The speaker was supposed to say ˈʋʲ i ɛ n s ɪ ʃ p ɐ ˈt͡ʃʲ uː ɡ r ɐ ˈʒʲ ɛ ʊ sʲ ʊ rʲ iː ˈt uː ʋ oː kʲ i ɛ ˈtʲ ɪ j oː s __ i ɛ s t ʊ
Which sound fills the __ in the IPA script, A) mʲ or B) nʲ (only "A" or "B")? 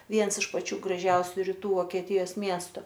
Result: A